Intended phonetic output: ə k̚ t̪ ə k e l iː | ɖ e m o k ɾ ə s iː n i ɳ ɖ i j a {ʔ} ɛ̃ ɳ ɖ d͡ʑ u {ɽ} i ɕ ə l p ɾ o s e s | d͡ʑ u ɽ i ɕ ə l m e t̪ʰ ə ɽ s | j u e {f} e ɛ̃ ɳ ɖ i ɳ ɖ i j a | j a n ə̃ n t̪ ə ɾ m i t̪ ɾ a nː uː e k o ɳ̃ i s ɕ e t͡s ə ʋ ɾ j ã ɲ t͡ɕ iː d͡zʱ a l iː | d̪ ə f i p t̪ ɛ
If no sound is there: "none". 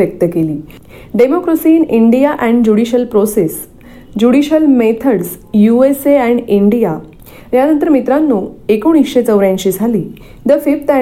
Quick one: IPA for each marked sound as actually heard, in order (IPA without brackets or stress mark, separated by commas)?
ʔ, ɽ, s